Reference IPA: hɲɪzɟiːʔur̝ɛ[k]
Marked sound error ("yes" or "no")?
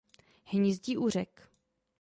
no